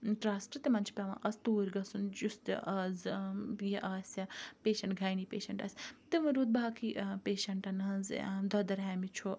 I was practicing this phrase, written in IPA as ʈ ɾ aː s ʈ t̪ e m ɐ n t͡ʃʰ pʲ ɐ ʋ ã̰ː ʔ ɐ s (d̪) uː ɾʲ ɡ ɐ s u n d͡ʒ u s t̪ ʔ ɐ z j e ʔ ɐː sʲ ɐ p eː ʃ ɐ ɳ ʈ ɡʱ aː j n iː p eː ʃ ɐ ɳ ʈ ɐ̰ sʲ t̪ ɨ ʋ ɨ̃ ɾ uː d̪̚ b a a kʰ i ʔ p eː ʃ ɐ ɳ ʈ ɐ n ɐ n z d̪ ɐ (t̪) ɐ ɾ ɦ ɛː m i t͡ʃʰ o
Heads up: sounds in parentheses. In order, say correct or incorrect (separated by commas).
incorrect, incorrect